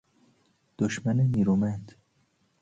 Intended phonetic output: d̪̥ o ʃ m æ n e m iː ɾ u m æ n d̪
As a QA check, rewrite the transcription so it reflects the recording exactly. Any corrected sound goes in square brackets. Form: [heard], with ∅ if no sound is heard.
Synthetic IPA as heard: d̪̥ o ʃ m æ n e [n] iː ɾ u m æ n d̪